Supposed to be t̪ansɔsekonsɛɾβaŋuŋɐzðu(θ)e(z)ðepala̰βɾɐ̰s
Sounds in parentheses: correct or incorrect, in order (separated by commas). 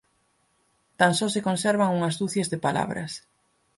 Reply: correct, correct